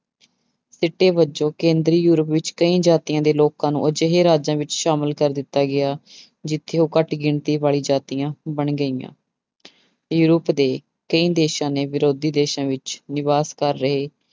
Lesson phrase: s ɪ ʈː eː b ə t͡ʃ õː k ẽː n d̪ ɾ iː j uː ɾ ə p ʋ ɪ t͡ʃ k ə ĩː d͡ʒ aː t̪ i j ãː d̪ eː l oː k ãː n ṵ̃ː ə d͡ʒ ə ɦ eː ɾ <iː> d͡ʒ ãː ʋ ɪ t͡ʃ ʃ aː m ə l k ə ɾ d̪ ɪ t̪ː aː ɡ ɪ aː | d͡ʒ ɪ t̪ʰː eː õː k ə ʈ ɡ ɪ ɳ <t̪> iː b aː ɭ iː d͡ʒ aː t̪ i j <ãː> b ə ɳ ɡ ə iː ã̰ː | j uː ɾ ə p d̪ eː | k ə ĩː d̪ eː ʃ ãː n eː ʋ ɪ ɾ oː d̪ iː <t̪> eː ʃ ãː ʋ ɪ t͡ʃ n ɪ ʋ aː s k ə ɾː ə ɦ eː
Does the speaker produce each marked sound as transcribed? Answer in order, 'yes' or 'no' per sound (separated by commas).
no, yes, yes, no